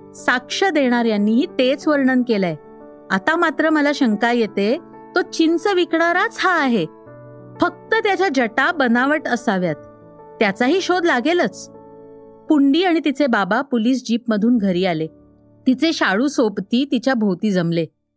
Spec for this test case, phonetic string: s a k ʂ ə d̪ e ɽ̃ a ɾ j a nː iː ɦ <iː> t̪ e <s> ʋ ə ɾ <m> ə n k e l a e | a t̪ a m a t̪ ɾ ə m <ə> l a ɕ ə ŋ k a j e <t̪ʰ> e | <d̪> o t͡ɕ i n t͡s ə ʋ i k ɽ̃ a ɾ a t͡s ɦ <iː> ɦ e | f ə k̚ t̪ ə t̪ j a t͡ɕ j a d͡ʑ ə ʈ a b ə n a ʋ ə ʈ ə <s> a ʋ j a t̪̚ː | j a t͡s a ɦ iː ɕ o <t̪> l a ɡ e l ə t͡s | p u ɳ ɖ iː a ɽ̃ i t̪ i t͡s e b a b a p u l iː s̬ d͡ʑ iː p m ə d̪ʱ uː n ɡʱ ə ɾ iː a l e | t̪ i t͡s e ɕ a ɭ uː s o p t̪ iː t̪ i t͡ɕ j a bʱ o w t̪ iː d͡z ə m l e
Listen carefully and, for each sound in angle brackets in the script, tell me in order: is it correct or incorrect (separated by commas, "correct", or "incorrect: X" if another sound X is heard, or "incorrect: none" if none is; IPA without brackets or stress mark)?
correct, incorrect: t͡s, incorrect: ɳ, correct, incorrect: t̪, incorrect: t̪, incorrect: aː, correct, incorrect: d̪